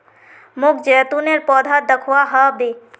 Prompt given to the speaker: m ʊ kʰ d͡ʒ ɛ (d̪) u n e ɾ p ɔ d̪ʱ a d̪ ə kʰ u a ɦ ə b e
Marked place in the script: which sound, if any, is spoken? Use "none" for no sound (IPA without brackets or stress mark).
t̪